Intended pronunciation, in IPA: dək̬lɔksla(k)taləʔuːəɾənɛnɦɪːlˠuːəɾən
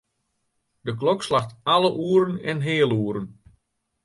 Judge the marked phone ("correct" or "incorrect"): incorrect